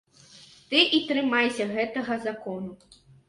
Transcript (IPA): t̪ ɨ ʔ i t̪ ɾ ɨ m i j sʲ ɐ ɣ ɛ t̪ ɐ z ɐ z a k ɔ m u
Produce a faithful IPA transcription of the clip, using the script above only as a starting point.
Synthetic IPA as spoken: t̪ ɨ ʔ i t̪ ɾ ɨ m a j sʲ ɐ ɣ ɛ t̪ ɐ ɣ ɐ z a k ɔ n u